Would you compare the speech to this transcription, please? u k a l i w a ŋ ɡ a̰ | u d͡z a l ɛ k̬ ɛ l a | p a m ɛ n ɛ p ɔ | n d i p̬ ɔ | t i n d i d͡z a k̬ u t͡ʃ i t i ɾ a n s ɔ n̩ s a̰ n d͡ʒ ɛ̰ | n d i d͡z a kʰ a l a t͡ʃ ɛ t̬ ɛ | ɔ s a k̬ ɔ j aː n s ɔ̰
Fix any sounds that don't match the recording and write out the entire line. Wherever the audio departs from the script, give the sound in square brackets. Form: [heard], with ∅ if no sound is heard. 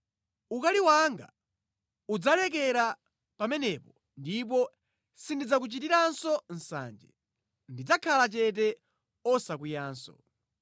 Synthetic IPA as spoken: u k a l i w a ŋ ɡ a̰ | u d͡z a l ɛ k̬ ɛ [ɾ] a | p a m ɛ n ɛ p ɔ | n d i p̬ ɔ | [s] i n d i d͡z a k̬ u t͡ʃ i t i ɾ a n s ɔ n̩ s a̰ n d͡ʒ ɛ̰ | n d i d͡z a kʰ a l a t͡ʃ ɛ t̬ ɛ | ɔ s a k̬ [u] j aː n s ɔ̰

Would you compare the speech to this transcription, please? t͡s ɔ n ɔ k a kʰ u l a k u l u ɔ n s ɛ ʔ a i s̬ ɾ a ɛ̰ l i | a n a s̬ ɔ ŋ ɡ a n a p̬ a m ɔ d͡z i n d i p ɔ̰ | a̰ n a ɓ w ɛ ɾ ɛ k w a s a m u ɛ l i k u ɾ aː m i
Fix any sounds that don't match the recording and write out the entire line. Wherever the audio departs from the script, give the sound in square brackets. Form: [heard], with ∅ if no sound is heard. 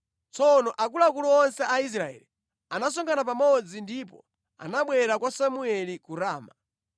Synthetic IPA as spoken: t͡s ɔ n ɔ [ʔ] a [k] u l a k u l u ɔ n s ɛ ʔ a i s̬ ɾ a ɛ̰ l i | a n a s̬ ɔ ŋ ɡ a n a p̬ a m ɔ d͡z i n d i p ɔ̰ | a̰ n a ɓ w ɛ ɾ [a] k w a s a m u ɛ l i k u ɾ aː m [a]

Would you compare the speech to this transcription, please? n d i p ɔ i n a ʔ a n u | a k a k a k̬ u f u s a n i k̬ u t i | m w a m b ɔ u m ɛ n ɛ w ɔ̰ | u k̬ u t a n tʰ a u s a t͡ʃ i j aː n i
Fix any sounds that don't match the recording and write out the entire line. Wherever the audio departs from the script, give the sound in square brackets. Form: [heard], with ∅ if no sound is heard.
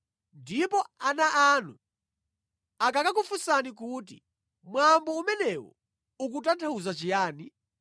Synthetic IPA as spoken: n d i p ɔ [a] n a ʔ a n u | a k a k a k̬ u f u s a n i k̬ u t i | m w a m b ɔ u m ɛ n ɛ w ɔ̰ | u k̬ u t a n tʰ a u [z] a t͡ʃ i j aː n i

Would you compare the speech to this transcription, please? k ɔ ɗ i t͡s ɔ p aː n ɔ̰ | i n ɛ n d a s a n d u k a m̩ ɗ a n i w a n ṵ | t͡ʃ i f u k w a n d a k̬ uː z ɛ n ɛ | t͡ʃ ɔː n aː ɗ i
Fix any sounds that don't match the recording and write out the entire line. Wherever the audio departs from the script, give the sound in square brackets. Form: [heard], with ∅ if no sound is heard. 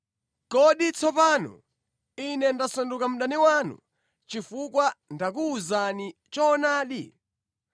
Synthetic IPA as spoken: k ɔ ɗ i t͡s ɔ p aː n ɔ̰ | i n ɛ n d a s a n d u k a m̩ ɗ a n i w a n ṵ | t͡ʃ i f u k w a n d a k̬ uː z [a] n [i] | t͡ʃ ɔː n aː ɗ i

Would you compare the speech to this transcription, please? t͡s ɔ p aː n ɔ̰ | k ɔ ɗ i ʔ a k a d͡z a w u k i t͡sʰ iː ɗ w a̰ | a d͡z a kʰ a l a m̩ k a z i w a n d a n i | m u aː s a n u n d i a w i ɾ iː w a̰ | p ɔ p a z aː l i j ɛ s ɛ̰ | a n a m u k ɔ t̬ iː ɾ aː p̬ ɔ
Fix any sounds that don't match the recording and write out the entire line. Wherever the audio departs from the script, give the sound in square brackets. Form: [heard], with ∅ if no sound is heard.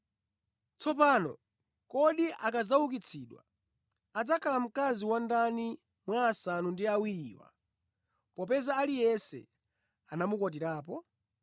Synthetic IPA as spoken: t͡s ɔ p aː n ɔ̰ | k ɔ ɗ i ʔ a k a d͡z a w u k i t͡sʰ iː ɗ w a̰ | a d͡z a kʰ a l a m̩ k a z i w a n d a n i | m [w] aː s a n u n d i a w i ɾ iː w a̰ | p ɔ p [ɛ] z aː l i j ɛ s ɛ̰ | a n a m u k ɔ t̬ [i] ɾ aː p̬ ɔ

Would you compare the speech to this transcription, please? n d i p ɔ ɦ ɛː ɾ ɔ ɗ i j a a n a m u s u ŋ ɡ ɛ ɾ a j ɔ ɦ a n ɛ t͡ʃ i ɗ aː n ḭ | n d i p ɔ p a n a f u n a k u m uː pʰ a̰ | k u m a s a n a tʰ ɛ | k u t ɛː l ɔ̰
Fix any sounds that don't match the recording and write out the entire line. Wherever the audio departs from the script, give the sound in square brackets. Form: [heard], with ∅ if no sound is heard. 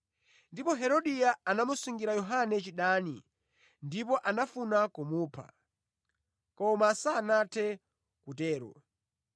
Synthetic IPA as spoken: n d i p ɔ ɦ [ɛ] ɾ ɔ ɗ i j a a n a m u s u ŋ ɡ [i] ɾ a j ɔ ɦ a n ɛ t͡ʃ i ɗ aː n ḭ | n d i p ɔ [ʔ] a n a f u n a k u m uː pʰ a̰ | k [ɔ] m a s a n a tʰ ɛ | k u t ɛː [ɾ] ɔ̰

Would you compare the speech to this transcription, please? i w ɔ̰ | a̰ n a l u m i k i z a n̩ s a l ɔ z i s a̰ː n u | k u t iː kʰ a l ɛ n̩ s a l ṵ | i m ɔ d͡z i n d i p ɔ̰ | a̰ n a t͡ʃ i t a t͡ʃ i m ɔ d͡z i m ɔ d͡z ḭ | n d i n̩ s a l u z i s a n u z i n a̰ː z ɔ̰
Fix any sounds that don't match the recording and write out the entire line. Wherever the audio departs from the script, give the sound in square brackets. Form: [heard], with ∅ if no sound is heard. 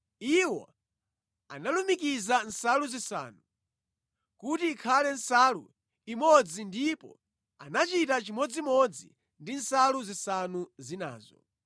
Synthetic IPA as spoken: i w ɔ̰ | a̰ n a l u m i k i z a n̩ s a l [u] z i s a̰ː n u | k u t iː kʰ a l ɛ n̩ s a l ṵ | i m ɔ d͡z i n d i p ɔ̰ | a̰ n a t͡ʃ i t a t͡ʃ i m ɔ d͡z i m ɔ d͡z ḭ | n d i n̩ s a l u z i s a n u z i n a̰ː z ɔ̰

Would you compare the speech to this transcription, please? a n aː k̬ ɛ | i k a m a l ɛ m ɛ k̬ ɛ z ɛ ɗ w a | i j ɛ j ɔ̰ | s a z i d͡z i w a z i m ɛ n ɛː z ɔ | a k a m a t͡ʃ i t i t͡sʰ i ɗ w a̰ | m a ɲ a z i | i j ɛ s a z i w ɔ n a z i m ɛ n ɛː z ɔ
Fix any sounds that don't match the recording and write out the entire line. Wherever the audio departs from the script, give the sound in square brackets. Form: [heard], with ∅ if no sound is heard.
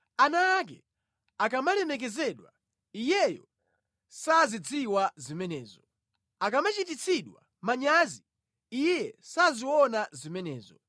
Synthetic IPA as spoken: a n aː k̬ ɛ | [a] k a m a l ɛ m ɛ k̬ ɛ z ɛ ɗ w a | i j ɛ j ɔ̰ | s a z i d͡z i w a z i m ɛ n ɛː z ɔ | a k a m a t͡ʃ i t i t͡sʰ i ɗ w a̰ | m a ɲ a z i | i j ɛ s a z i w ɔ n a z i m ɛ n ɛː z ɔ

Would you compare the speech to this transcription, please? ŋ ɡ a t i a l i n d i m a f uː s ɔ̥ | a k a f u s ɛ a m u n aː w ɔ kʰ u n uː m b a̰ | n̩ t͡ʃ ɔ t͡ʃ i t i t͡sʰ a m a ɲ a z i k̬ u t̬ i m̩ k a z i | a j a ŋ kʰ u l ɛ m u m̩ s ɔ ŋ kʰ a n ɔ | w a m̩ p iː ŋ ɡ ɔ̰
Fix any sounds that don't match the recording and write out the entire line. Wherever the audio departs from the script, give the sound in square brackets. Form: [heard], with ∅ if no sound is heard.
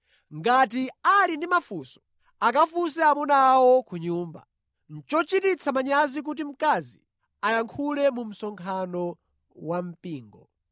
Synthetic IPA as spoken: ŋ ɡ a t i a l i n d i m a f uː s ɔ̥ | a k a f u s ɛ a m u n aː w ɔ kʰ u [ɲ] uː m b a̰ | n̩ t͡ʃ ɔ t͡ʃ i t i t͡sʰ a m a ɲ a z i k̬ u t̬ i m̩ k a z i | a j a ŋ kʰ u l ɛ m u m̩ s ɔ ŋ kʰ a n ɔ | w a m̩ p iː ŋ ɡ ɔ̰

